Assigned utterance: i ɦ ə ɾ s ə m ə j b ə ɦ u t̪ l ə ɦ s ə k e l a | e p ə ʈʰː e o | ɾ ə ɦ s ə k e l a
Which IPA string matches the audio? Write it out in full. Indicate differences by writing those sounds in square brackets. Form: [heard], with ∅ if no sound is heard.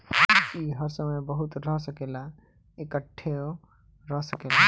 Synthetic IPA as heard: i ɦ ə ɾ s ə m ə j b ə ɦ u t̪ [ɾ] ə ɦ s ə k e l a | e [k] ə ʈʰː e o | ɾ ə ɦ s ə k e l a